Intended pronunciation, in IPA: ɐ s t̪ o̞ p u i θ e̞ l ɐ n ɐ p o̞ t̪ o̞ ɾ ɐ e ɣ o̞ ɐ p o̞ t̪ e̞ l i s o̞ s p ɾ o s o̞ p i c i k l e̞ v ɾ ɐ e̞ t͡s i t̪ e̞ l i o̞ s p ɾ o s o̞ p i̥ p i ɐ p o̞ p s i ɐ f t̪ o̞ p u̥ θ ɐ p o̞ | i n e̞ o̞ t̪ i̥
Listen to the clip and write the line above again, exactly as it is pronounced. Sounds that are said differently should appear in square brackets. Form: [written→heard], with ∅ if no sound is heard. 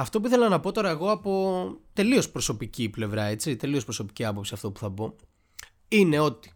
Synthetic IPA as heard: ɐ [s→f] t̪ o̞ p u i θ e̞ l ɐ n ɐ p o̞ t̪ o̞ ɾ ɐ e ɣ o̞ ɐ p o̞ t̪ e̞ l i [s→∅] o̞ s p ɾ o s o̞ p i c i [k→p] l e̞ v ɾ ɐ e̞ t͡s i t̪ e̞ l i o̞ s p ɾ o s o̞ p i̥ [p→c] i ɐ p o̞ p s i ɐ f t̪ o̞ p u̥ θ ɐ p o̞ | i n e̞ o̞ t̪ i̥